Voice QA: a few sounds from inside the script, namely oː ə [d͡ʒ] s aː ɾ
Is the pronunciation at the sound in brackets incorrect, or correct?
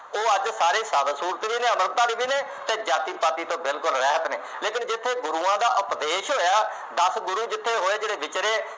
correct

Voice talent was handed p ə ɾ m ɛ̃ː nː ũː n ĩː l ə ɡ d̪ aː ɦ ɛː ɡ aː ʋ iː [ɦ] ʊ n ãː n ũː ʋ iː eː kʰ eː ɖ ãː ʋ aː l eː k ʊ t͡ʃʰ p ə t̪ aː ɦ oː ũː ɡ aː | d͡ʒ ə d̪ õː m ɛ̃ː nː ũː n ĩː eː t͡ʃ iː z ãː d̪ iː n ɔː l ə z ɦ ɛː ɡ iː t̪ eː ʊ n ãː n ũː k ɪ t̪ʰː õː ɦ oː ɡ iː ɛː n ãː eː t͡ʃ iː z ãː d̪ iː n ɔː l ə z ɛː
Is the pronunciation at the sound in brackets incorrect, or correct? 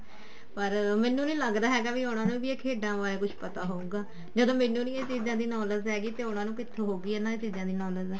incorrect: none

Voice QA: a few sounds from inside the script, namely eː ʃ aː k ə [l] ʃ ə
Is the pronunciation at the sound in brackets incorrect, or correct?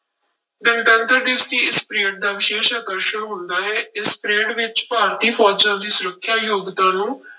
incorrect: ɾ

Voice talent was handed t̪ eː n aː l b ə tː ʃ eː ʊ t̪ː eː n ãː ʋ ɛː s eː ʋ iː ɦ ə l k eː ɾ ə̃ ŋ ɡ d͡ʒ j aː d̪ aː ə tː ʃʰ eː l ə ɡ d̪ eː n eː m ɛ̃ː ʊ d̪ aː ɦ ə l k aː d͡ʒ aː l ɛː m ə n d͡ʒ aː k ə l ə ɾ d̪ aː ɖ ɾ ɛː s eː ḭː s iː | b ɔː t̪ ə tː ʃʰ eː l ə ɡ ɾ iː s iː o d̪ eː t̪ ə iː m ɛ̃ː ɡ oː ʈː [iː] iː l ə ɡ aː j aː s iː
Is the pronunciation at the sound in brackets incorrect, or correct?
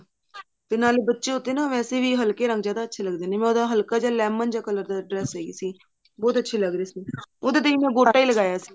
incorrect: aː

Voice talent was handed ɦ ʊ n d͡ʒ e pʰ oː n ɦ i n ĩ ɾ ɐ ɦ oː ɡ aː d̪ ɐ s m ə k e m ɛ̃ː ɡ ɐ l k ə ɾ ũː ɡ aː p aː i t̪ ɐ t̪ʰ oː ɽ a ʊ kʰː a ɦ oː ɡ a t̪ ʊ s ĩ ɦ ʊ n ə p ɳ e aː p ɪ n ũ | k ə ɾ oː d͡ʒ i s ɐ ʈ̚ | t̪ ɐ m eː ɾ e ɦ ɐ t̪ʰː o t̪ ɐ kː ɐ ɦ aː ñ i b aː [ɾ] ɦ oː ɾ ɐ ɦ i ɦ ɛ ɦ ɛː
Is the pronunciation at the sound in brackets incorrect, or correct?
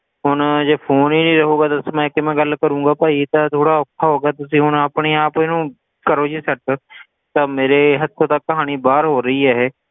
correct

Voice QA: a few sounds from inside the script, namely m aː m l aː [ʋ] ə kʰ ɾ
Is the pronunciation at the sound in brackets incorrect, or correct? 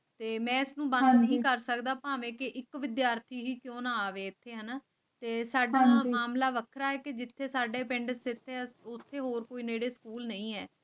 correct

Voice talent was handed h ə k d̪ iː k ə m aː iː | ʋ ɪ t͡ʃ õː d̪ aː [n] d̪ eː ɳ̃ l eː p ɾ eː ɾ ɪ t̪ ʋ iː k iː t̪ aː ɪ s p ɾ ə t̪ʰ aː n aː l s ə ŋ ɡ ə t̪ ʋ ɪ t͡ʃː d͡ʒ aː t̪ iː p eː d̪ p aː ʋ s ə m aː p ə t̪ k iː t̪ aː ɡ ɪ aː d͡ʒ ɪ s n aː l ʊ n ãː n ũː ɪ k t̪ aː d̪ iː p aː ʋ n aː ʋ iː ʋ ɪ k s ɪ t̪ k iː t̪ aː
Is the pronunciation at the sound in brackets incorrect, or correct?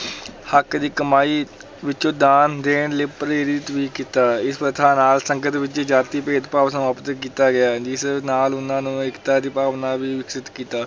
correct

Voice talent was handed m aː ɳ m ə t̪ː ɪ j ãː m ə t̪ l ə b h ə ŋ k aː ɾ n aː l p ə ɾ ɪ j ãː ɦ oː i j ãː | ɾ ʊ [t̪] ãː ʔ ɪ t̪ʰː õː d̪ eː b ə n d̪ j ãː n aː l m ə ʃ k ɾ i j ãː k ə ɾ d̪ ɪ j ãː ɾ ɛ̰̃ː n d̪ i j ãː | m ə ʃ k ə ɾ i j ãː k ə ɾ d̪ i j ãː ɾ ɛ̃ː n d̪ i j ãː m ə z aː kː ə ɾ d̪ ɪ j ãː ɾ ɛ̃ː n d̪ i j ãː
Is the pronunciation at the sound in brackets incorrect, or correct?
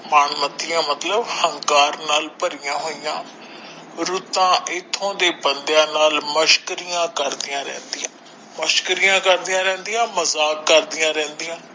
correct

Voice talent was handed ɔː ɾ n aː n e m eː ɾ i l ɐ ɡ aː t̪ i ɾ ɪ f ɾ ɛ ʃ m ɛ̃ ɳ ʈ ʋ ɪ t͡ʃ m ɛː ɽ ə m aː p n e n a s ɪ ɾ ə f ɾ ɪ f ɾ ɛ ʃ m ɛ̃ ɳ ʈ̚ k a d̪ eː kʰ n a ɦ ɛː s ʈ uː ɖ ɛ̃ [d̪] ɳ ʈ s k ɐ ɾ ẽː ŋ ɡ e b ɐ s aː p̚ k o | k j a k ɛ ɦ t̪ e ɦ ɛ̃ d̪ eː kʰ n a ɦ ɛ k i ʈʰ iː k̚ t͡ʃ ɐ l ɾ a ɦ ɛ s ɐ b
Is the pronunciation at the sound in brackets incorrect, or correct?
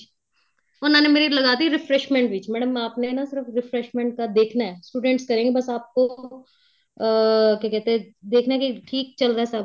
incorrect: none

